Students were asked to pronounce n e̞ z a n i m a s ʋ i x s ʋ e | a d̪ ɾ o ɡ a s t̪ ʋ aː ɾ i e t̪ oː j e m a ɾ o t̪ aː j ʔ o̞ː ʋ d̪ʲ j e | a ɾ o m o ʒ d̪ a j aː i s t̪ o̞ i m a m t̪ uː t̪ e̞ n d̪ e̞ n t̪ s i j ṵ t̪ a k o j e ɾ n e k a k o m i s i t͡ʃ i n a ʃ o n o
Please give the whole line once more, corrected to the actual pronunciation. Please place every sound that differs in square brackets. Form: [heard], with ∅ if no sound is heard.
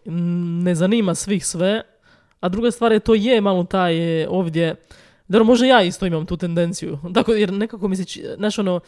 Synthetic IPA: n e̞ z a n i m a s ʋ i x s ʋ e | a d̪ ɾ [u] ɡ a s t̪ ʋ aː ɾ [j] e t̪ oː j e m a [l] o t̪ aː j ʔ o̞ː ʋ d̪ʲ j e | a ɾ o m o ʒ d̪ a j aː i s t̪ o̞ i m a m t̪ uː t̪ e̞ n d̪ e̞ n t̪ s i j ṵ t̪ a k o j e ɾ n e k a k o m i s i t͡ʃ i n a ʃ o n o